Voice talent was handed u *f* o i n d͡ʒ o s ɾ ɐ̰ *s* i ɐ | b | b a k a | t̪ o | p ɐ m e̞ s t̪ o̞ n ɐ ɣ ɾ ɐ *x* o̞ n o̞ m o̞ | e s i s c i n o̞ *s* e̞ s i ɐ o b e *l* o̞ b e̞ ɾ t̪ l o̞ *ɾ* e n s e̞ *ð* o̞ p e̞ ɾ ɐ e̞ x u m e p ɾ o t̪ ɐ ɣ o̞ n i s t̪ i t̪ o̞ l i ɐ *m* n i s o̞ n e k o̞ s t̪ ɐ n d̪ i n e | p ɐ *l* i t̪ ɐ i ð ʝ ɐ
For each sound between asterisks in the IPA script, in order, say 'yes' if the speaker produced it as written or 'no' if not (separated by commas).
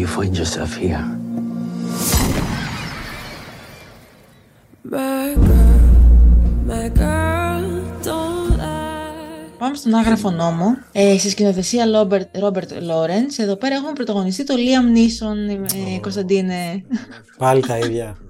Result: yes, no, no, no, no, yes, yes, yes, yes